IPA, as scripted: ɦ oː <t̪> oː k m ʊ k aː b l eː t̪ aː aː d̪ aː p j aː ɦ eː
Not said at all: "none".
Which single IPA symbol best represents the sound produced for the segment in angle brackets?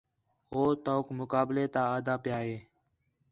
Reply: t̪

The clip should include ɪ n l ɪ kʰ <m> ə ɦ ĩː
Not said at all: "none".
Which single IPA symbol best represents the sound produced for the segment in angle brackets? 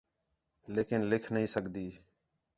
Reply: n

